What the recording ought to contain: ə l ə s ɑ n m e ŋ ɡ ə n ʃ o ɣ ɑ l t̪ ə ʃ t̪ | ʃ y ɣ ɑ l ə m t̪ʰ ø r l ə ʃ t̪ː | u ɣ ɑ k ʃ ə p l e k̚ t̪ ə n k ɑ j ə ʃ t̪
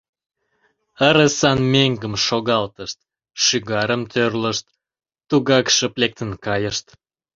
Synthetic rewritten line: ə ɾ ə s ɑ n m e ŋ ɡ ə m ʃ o ɣ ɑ l t̪ ə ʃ t̪ | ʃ y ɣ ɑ ɾ ə m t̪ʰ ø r l ə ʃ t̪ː | u ɣ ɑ k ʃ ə p l e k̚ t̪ ə n k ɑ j ə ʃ t̪

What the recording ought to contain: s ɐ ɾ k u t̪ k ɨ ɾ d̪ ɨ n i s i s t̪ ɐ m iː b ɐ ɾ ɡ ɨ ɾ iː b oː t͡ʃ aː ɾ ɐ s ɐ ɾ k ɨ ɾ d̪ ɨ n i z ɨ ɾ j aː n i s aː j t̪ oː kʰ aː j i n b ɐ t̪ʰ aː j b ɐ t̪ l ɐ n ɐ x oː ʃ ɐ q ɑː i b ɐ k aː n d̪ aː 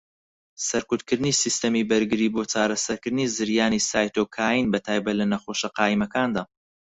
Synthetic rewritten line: s ɐ ɾ k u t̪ k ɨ ɾ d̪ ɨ n i s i s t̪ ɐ m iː b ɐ ɾ ɡ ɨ ɾ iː b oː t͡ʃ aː ɾ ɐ s ɐ ɾ k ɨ ɾ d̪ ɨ n i z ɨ ɾ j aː n i s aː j t̪ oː kʰ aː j i n b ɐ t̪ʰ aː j b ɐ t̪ l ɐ n ɐ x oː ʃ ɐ q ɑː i m ɐ k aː n d̪ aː

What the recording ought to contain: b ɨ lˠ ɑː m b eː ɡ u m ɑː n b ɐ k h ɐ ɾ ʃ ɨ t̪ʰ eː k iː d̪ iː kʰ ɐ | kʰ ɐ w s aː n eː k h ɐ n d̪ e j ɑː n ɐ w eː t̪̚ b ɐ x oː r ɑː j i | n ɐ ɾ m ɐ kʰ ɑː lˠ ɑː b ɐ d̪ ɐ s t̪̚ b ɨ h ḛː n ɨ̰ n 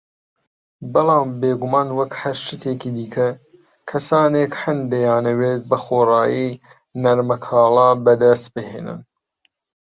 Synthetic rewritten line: b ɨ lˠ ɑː m b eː ɡ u m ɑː n w ɐ k h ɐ ɾ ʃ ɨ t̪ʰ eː k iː d̪ iː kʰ ɐ | kʰ ɐ s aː n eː k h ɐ n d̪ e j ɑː n ɐ w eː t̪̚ b ɐ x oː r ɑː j i | n ɐ ɾ m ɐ kʰ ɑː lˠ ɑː b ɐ d̪ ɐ s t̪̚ b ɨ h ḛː n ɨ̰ n

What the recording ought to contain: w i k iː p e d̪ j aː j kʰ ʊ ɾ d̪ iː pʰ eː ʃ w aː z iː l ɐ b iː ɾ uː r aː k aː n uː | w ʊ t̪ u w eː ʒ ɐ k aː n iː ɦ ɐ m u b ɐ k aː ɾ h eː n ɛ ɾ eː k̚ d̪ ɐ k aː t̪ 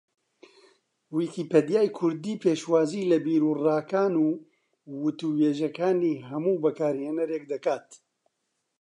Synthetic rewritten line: w i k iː p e d̪ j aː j kʰ ʊ ɾ d̪ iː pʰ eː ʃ w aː z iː l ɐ b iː ɾ uː r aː k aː n uː | w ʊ t̪ u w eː ʒ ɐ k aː n iː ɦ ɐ m uː b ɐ k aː ɾ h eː n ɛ ɾ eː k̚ d̪ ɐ k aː t̪

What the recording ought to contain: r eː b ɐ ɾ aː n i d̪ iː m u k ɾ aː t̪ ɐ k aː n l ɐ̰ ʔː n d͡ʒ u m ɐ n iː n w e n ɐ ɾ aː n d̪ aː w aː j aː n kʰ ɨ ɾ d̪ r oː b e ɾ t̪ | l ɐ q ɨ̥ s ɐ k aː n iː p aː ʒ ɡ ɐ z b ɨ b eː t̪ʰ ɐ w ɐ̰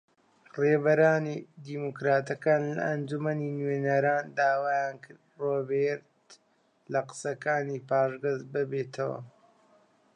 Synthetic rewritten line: r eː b ɐ ɾ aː n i d̪ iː m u k ɾ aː t̪ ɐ k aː n l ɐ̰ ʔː n d͡ʒ u m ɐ n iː n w e n ɐ ɾ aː n d̪ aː w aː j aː n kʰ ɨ ɾ d̪ r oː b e ɾ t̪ | l ɐ q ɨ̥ s ɐ k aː n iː p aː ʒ ɡ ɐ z b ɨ b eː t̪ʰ ɐ w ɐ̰

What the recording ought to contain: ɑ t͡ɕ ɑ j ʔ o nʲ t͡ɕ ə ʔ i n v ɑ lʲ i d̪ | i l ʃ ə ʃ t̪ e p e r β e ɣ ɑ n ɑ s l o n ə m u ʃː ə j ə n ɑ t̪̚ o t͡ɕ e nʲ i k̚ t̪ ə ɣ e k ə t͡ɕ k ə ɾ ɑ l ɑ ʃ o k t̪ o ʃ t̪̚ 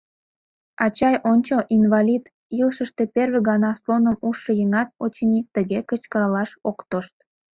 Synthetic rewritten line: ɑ t͡ɕ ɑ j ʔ o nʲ t͡ɕ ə ʔ i n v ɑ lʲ i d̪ | i l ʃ ə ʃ t̪ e p e r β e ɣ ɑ n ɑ s l o n ə m u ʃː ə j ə ŋ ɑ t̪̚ o t͡ɕ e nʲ i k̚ t̪ ə ɣ e k ə t͡ɕ k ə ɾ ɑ l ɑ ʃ o k t̪ o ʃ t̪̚

